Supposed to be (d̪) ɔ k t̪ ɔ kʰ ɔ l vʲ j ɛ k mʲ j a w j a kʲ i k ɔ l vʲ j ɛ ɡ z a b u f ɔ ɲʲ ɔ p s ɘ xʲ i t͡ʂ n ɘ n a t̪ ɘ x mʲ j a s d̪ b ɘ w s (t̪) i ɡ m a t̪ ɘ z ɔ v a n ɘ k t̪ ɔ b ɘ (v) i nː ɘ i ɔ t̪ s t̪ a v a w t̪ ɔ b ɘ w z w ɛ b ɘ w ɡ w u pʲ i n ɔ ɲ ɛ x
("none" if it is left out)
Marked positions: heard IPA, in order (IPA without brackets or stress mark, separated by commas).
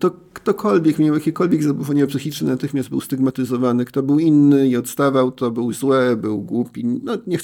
t̪, t̪, w